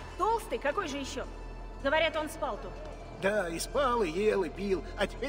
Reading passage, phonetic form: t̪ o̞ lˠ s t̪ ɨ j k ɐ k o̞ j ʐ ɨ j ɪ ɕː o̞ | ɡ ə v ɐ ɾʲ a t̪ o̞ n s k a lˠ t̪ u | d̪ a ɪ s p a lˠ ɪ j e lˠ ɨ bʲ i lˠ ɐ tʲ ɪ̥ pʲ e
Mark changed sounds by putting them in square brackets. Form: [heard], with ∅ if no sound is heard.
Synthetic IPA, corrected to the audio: t̪ o̞ lˠ s t̪ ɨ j k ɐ k o̞ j ʐ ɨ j ɪ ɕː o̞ | ɡ ə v ɐ ɾʲ a t̪ o̞ n s [p] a lˠ t̪ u | d̪ a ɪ s p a lˠ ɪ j e lˠ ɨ [pʲ] i lˠ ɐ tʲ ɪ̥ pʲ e